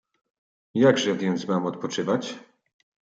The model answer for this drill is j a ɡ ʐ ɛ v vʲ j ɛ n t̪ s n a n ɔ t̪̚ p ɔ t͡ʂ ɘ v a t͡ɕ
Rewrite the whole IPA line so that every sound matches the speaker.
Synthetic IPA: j a ɡ ʐ ɛ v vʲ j ɛ n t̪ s m a m ɔ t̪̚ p ɔ t͡ʂ ɘ v a t͡ɕ

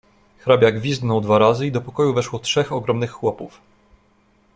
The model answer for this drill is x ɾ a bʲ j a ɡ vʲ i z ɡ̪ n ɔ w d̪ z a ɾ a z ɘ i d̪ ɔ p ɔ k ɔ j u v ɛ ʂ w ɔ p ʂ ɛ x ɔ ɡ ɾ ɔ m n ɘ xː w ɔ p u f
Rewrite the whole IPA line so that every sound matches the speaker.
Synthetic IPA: x ɾ a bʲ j a ɡ vʲ i z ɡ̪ n ɔ w d̪ v a ɾ a z ɘ i d̪ ɔ p ɔ k ɔ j u v ɛ ʂ w ɔ t ʂ ɛ x ɔ ɡ ɾ ɔ m n ɘ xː w ɔ p u f

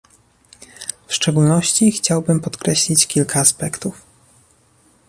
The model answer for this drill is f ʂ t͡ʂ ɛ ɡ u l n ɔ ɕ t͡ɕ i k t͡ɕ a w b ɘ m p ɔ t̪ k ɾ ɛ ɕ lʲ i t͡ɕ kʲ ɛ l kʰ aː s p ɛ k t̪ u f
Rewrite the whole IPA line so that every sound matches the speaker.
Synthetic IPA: f ʂ t͡ʂ ɛ ɡ u l n ɔ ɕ t͡ɕ i x t͡ɕ a w b ɘ m p ɔ t̪ k ɾ ɛ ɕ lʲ i t͡ɕ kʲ i l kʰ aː s p ɛ k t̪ u f

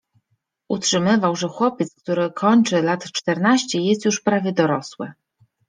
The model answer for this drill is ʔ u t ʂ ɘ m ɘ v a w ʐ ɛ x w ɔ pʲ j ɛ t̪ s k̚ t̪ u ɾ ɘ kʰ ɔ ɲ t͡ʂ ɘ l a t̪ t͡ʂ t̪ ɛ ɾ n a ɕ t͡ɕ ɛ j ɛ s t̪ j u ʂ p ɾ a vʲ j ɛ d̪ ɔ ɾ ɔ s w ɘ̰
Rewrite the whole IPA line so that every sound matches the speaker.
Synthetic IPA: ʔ u t ʂ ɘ m ɘ v a w ʐ ɛ x w ɔ pʲ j ɛ t̪ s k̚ t̪ u ɾ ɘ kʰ ɔ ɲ t͡ʂ ɘ l a t̪ t͡ʂ t̪ ɛ ɾ n a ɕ t͡ɕ ɛ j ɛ s t̪ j u ʂ p ɾ a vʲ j ɛ d̪ ɔ ɾ ɔ s w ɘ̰

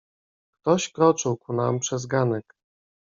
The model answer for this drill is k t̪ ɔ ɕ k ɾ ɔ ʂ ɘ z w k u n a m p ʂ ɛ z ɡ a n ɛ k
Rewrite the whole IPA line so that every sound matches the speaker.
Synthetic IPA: k t̪ ɔ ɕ k ɾ ɔ t͡ʂ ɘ w k u n a m p ʂ ɛ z ɡ a n ɛ k

